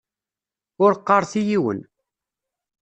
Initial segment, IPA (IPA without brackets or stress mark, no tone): ʊ